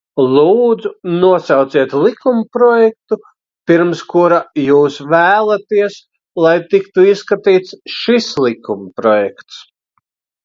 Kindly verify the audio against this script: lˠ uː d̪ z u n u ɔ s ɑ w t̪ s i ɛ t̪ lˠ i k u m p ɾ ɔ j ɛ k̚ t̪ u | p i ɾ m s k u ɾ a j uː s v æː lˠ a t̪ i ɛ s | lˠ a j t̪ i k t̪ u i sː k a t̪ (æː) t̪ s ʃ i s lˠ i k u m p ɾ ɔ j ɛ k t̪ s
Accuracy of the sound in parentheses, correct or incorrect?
incorrect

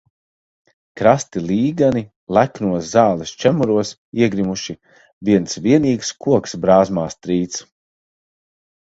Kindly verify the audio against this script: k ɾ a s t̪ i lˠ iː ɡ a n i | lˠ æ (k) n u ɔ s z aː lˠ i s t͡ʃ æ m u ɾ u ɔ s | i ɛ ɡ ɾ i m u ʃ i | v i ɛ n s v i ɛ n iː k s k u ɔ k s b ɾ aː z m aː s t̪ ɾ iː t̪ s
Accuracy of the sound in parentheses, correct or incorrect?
correct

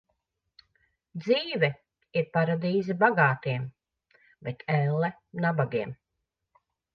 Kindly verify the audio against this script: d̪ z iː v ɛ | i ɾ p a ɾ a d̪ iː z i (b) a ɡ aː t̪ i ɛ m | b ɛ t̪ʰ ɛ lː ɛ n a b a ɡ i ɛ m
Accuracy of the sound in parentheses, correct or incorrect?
correct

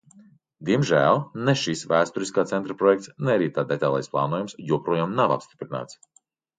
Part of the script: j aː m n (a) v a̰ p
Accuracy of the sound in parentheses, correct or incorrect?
correct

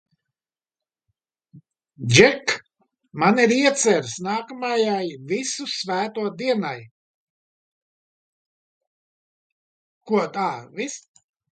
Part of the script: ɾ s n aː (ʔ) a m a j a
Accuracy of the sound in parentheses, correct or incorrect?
incorrect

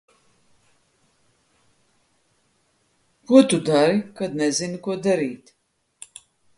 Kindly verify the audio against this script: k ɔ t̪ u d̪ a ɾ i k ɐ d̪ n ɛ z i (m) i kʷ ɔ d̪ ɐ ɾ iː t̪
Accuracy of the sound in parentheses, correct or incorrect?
incorrect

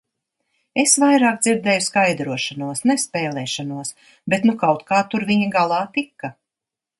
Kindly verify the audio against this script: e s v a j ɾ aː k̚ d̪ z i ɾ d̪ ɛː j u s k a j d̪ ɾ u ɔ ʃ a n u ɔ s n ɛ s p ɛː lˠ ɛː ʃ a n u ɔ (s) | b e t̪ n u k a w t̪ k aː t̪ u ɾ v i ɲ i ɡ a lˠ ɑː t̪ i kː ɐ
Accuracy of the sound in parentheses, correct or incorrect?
correct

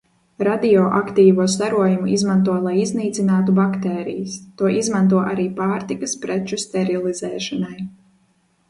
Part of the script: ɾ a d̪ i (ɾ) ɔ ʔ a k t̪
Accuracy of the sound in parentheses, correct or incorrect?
incorrect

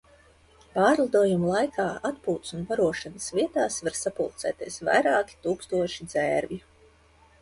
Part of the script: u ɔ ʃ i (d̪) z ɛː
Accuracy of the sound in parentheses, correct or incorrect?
correct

